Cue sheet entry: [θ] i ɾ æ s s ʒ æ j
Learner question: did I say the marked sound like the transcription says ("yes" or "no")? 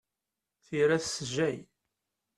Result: yes